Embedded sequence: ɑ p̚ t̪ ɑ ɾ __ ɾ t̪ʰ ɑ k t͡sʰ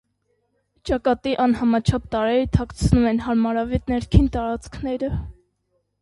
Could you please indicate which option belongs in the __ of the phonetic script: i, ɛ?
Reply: ɛ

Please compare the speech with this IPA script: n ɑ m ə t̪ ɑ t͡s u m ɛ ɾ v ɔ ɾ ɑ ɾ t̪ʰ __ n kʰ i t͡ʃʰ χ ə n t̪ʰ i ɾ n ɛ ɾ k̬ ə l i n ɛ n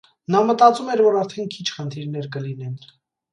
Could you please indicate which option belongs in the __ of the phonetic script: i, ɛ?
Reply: ɛ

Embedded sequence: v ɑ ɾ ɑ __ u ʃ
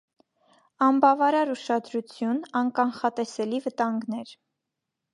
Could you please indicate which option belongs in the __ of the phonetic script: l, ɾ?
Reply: ɾ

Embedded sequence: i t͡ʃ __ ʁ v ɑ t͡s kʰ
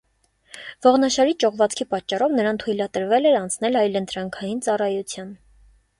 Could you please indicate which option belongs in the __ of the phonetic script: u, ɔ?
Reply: ɔ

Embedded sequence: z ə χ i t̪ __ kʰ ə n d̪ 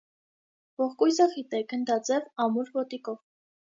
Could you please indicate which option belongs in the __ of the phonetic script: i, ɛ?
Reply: ɛ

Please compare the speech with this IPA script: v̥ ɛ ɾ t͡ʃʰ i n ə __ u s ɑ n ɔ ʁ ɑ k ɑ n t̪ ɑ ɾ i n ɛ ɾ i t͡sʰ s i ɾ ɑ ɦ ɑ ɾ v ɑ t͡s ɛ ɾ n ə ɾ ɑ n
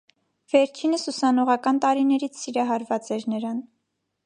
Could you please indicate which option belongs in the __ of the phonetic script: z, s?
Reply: s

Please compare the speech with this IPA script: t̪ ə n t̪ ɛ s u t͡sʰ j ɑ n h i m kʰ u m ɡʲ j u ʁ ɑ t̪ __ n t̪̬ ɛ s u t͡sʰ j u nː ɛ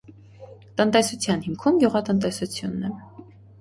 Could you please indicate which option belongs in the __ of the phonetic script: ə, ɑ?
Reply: ə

